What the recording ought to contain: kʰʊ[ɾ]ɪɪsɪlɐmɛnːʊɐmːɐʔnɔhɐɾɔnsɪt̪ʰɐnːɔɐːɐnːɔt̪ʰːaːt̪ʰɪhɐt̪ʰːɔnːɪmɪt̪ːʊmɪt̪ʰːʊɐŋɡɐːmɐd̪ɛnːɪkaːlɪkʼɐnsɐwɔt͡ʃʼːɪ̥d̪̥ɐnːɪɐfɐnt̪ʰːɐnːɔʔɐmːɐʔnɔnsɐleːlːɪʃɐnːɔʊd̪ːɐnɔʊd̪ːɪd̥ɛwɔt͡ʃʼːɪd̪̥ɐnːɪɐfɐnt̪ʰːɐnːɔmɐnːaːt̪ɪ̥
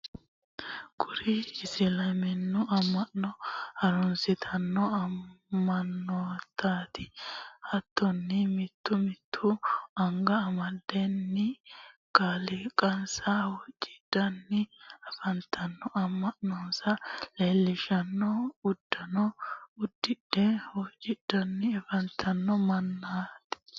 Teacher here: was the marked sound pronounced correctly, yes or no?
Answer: yes